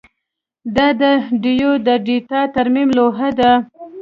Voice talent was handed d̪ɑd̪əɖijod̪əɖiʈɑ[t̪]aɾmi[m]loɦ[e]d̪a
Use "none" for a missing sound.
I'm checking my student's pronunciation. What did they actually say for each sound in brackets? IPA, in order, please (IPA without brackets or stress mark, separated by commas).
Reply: t̪, m, a